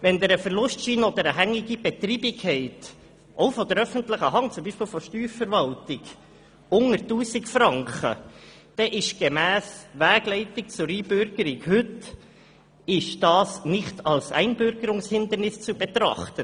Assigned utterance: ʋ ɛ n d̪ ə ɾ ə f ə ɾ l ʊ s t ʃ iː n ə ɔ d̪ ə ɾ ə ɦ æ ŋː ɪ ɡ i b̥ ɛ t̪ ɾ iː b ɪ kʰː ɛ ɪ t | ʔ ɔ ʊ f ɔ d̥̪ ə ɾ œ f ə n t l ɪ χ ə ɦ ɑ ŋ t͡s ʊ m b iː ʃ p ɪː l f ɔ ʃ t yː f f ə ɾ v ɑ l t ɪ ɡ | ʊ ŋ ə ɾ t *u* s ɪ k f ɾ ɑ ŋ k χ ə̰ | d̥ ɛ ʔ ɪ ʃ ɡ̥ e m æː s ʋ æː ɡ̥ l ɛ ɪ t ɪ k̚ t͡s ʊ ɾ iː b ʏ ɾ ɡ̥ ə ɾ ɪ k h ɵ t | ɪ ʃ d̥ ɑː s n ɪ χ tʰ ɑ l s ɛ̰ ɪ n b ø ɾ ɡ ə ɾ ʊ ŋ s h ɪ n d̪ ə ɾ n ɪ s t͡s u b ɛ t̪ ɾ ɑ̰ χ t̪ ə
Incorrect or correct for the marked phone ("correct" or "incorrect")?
incorrect